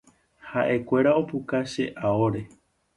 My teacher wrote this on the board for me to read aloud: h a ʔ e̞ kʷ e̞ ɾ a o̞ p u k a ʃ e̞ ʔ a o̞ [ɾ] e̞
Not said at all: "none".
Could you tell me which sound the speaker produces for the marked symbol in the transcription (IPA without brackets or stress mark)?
ɾ